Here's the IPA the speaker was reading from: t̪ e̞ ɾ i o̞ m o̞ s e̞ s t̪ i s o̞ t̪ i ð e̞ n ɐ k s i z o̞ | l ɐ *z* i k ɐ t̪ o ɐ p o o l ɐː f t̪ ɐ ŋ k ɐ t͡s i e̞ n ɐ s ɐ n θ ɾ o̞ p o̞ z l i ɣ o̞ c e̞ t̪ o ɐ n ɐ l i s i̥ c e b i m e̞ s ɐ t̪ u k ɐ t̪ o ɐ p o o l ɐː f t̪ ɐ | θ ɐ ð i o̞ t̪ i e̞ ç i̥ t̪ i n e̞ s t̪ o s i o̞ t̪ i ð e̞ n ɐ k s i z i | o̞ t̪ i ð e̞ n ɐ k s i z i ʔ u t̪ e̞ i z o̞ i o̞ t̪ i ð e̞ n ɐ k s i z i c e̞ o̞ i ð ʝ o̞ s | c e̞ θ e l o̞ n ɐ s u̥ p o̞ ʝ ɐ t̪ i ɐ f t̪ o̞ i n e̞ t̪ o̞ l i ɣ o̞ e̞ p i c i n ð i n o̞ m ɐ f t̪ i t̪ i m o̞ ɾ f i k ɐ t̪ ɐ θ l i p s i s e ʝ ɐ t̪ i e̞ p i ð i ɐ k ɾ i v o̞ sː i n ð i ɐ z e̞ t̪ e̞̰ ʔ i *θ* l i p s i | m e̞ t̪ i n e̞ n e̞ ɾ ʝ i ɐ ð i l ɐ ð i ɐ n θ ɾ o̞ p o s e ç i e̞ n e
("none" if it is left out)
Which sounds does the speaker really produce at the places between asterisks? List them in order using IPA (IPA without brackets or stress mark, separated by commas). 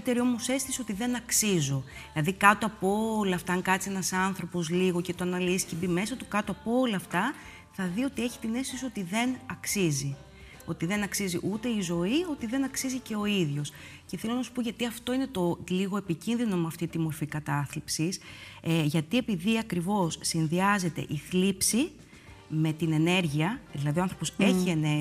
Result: ð, θ